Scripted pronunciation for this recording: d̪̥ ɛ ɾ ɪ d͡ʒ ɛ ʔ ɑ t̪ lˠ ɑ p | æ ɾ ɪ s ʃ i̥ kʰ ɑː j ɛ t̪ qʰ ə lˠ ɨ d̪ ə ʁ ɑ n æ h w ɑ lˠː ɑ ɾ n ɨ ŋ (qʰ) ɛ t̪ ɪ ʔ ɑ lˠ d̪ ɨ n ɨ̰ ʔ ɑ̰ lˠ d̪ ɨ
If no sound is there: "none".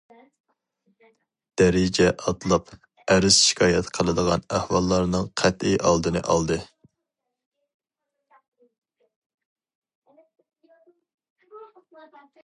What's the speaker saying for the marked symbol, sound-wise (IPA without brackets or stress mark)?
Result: qʰ